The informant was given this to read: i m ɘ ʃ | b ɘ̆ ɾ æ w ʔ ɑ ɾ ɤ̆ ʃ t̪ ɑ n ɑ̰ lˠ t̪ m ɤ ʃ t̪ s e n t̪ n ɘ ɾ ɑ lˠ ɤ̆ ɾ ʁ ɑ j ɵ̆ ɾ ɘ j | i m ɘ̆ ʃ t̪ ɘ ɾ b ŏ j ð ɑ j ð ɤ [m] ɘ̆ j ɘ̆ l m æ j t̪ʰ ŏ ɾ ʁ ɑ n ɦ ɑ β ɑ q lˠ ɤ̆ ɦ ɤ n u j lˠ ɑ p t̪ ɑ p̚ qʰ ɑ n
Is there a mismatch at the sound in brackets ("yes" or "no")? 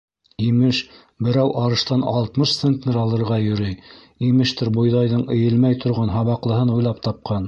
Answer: yes